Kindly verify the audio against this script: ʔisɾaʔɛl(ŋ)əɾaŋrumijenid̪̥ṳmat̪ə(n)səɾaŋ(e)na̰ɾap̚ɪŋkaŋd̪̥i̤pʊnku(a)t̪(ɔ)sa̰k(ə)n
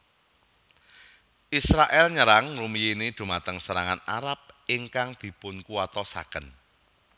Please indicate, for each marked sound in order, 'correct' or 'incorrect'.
incorrect, incorrect, incorrect, correct, correct, correct

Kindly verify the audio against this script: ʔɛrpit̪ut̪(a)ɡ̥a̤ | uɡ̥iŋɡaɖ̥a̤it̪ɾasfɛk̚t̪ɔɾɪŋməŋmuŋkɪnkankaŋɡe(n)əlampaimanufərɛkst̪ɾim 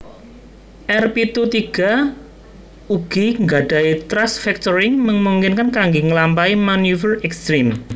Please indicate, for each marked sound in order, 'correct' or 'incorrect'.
incorrect, incorrect

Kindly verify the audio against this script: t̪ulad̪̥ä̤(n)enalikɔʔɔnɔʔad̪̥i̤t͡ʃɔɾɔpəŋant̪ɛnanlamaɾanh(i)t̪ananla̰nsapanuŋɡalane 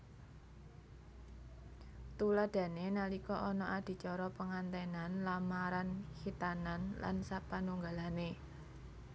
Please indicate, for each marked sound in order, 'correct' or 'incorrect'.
correct, correct

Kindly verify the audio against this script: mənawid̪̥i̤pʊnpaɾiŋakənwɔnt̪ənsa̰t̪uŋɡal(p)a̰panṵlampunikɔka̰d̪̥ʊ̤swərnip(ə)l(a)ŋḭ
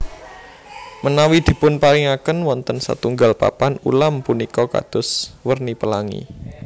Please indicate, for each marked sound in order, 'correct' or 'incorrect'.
correct, correct, correct

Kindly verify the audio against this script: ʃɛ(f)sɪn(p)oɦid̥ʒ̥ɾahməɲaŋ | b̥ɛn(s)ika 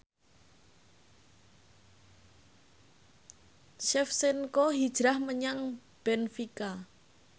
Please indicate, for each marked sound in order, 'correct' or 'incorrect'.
correct, incorrect, incorrect

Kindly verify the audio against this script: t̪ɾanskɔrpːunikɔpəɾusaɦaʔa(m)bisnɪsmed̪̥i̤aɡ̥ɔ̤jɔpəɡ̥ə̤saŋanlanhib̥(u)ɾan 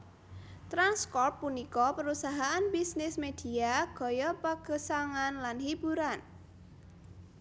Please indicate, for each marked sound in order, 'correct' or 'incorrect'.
incorrect, correct

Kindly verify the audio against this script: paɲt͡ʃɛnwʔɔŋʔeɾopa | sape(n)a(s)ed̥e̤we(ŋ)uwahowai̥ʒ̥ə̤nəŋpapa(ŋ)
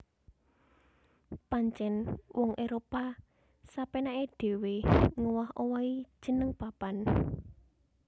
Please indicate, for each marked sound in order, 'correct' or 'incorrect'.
correct, incorrect, correct, incorrect

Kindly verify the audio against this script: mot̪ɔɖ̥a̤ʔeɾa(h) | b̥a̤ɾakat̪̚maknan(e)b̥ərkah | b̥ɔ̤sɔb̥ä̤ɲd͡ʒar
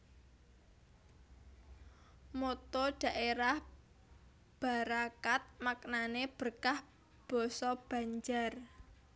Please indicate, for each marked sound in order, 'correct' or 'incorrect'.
correct, correct

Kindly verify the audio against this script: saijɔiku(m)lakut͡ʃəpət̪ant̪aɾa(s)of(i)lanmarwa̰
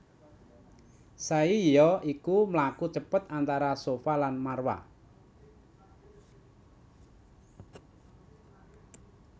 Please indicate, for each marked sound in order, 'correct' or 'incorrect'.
correct, correct, incorrect

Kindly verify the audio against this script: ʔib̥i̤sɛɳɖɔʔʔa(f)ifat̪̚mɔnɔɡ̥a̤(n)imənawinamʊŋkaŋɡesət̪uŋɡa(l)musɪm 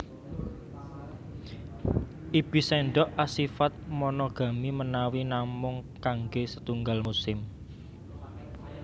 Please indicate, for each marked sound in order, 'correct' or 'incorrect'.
incorrect, incorrect, correct

